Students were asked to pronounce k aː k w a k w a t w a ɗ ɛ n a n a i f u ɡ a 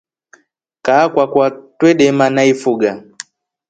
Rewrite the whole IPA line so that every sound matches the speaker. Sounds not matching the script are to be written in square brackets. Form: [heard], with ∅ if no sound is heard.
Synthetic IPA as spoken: k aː k w a k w a t w [ɛ] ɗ ɛ [m] a n a i f u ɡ a